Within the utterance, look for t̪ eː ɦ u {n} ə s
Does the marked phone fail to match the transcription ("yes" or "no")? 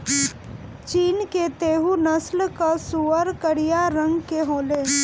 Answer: no